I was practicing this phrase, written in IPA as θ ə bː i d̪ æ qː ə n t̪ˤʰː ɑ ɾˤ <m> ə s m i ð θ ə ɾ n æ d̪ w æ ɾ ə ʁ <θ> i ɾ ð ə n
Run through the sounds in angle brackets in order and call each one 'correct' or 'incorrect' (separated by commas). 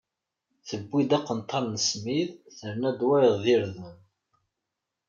incorrect, incorrect